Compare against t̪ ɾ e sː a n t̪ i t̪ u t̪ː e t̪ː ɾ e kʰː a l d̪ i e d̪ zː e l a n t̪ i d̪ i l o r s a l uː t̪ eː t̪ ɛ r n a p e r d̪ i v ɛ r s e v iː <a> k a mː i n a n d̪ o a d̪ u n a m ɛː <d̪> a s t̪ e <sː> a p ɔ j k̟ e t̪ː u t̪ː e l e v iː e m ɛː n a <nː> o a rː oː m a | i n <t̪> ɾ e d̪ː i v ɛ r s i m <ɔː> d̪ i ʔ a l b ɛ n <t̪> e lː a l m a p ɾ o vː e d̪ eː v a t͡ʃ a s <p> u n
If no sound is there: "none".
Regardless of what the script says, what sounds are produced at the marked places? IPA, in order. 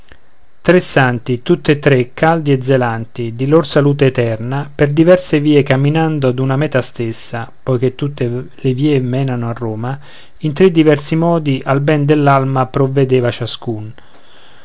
e, t̪, sː, n, t̪, ɔː, d̪, k

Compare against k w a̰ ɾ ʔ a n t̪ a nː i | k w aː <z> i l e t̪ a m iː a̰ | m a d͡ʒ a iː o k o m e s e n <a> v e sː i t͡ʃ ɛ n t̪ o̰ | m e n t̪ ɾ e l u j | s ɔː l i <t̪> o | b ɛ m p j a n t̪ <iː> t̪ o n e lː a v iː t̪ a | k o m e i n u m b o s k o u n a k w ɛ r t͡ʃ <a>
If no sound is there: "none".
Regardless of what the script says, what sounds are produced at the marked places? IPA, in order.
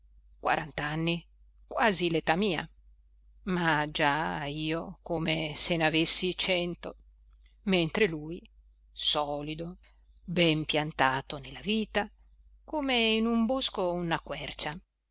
z, a, d̪, aː, a

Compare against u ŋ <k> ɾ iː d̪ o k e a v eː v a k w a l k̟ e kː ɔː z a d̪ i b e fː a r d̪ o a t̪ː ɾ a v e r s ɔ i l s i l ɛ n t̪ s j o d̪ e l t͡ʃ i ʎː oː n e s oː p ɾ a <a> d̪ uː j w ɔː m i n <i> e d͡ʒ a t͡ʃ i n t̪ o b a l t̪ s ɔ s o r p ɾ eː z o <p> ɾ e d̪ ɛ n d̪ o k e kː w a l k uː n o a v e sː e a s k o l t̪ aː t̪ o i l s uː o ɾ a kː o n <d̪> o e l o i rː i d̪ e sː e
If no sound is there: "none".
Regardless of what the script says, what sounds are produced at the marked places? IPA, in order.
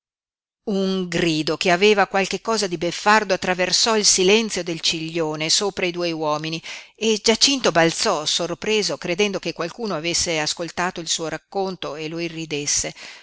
ɡ, i, i, k, t̪

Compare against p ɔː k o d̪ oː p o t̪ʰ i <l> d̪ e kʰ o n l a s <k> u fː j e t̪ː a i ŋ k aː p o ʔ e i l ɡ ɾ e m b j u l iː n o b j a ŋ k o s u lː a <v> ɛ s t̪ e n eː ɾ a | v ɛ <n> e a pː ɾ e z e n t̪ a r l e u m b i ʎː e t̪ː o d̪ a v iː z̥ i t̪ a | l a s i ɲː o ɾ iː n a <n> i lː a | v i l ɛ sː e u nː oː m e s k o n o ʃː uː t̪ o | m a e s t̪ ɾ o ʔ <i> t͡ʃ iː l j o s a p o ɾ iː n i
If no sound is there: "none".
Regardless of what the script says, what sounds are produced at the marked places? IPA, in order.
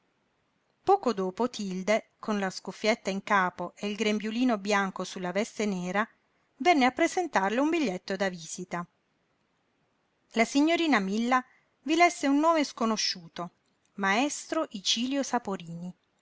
l, k, v, nː, m, i

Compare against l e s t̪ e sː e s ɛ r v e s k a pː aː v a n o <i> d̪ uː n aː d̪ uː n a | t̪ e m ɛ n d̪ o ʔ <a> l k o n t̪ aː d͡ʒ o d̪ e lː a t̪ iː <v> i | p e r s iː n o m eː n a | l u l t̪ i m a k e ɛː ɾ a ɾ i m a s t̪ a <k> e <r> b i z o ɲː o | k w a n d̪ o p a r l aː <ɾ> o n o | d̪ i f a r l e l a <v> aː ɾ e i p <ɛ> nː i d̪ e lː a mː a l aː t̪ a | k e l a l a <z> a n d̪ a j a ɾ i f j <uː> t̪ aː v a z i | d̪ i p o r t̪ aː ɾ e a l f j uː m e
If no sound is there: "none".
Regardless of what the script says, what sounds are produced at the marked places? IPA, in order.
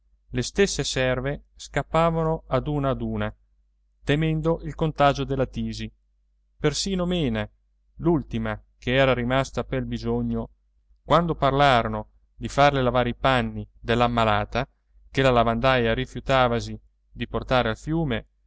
a, i, z, p, l, ɾ, v, a, v, u

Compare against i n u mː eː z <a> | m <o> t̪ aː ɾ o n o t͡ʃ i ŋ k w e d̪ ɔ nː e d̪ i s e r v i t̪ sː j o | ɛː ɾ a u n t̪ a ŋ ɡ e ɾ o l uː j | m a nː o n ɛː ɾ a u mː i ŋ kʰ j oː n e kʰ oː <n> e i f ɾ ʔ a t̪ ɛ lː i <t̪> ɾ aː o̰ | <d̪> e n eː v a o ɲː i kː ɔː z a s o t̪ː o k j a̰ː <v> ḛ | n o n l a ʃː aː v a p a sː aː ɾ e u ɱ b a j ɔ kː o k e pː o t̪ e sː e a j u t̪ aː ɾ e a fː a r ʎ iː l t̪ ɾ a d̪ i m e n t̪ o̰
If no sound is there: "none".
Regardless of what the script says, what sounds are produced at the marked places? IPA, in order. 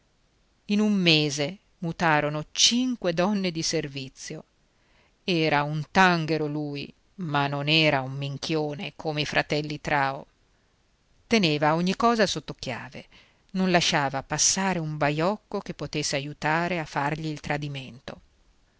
e, u, m, t̪, t̪, v

